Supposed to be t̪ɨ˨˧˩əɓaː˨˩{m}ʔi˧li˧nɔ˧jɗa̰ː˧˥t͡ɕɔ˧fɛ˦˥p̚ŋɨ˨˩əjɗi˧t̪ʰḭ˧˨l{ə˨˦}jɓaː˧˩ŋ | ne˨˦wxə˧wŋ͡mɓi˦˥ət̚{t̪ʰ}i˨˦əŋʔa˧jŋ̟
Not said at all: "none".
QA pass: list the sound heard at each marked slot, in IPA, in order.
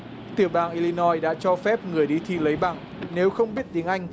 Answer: ŋ, ə˨˦, t̪

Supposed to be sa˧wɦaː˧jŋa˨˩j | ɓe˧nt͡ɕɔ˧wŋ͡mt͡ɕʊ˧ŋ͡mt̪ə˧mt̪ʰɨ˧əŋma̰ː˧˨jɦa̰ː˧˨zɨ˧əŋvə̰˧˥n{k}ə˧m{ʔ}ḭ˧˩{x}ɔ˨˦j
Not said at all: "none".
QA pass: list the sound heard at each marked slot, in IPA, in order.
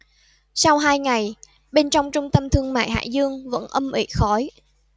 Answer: ʔ, ʔ, x

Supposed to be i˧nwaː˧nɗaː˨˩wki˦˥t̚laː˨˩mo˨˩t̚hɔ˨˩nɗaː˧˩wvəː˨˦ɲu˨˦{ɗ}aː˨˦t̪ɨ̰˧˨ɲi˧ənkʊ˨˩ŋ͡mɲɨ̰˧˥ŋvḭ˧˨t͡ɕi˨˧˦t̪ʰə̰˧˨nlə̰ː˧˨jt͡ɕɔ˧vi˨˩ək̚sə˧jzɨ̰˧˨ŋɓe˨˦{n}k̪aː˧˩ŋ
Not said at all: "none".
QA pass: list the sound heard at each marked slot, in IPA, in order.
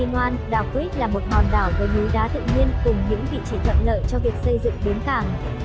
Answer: ɗ, n

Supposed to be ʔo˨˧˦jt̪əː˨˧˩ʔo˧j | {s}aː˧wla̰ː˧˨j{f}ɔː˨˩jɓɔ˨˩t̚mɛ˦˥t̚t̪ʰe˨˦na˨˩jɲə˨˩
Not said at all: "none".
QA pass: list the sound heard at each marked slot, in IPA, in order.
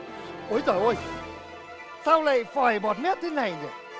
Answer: s, f

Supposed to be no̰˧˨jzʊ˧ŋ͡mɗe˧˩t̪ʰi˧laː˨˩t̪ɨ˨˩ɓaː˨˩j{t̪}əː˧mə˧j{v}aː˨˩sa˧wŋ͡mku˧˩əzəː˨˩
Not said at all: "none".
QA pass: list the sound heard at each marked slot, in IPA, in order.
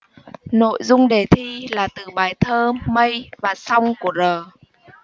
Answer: t̪ʰ, v

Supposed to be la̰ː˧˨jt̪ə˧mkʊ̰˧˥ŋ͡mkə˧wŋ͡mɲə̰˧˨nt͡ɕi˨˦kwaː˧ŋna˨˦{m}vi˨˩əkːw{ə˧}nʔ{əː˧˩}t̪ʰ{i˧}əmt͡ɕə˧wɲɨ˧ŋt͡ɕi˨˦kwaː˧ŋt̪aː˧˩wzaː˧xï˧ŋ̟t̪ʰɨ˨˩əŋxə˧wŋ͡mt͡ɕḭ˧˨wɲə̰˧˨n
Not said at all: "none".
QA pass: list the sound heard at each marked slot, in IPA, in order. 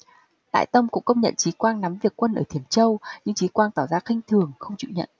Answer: m, ə˧, əː˧˩, i˧˩

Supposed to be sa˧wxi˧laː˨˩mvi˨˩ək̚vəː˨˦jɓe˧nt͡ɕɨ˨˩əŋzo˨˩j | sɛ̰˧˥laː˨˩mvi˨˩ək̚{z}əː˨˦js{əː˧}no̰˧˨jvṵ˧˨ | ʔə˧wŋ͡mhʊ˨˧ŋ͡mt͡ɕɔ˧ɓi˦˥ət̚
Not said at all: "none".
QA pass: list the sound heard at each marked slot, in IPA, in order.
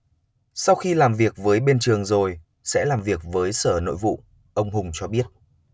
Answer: v, əː˧˩

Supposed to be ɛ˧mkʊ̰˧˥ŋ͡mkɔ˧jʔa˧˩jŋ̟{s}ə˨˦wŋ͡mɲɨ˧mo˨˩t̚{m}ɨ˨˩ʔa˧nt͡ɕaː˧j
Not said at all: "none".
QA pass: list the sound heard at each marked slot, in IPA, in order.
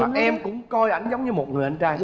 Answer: z, ŋ

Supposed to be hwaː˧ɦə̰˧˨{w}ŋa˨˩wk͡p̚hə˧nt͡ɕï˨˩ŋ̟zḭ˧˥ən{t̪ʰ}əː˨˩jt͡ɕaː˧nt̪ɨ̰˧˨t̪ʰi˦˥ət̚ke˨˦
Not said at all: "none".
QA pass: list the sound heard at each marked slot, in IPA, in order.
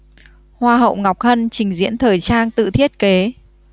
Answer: w, t̪ʰ

